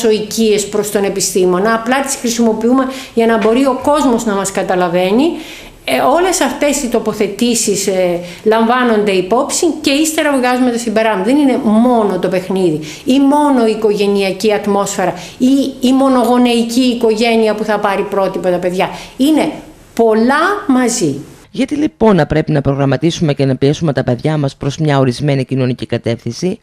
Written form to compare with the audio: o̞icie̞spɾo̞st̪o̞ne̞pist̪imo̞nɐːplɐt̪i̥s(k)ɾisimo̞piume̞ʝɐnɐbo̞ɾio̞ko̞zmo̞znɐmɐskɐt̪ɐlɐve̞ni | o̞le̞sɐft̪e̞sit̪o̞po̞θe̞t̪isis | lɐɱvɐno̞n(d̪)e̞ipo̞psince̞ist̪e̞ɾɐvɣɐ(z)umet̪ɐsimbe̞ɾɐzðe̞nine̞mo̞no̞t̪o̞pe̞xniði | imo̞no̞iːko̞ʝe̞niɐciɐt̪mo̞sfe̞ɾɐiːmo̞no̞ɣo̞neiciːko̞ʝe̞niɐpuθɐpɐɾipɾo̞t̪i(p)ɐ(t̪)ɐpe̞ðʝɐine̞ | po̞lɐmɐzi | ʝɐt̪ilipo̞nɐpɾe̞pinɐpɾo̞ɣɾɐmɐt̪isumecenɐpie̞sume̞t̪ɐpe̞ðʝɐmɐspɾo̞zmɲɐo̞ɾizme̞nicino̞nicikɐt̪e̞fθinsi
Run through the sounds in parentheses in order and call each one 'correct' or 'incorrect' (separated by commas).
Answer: incorrect, correct, correct, correct, correct